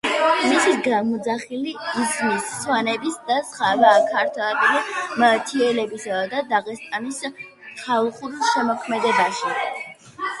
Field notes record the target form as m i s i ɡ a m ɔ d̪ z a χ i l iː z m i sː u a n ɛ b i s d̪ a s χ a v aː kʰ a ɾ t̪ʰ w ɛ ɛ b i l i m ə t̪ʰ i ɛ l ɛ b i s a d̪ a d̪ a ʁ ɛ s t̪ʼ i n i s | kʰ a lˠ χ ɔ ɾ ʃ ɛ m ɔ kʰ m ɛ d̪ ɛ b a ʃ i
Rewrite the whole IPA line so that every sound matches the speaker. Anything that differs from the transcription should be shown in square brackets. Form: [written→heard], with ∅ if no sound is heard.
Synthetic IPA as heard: m i s i ɡ a m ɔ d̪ z a χ i l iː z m i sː [u→w] a n ɛ b i s d̪ a s χ a v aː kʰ a ɾ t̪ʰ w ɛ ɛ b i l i m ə t̪ʰ i ɛ l ɛ b i s a d̪ a d̪ a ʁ ɛ s t̪ʼ [i→a] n i s | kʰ a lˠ χ [ɔ→u] ɾ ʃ ɛ m ɔ kʰ m ɛ d̪ ɛ b a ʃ i